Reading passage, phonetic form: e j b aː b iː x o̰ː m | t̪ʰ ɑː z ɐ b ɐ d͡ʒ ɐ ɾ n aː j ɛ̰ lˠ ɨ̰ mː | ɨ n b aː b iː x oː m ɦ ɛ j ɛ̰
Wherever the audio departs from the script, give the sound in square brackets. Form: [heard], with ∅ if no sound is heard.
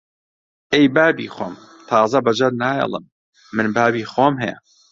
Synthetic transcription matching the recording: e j b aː b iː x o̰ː m | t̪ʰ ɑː z ɐ b ɐ d͡ʒ ɐ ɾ n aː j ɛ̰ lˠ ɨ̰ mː | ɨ n b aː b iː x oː m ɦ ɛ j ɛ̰